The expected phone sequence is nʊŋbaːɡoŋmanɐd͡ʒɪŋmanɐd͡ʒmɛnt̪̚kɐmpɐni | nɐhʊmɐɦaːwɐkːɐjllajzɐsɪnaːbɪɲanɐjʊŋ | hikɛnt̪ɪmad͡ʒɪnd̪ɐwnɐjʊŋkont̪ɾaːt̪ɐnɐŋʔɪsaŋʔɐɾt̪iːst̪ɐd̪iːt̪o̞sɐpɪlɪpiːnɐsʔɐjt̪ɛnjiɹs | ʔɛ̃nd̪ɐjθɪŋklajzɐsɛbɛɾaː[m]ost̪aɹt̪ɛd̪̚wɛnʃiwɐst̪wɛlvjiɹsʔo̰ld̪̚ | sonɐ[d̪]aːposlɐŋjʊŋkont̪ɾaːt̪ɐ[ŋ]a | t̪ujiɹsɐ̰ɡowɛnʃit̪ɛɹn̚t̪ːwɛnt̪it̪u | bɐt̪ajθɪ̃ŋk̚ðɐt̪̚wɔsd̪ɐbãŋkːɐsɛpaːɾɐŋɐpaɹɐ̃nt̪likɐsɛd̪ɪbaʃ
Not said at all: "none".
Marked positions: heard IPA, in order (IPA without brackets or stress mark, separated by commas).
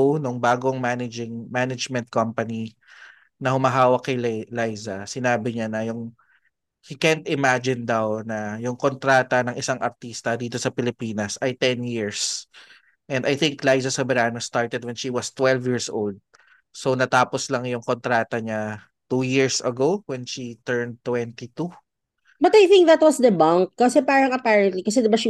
n, t̪, ɲ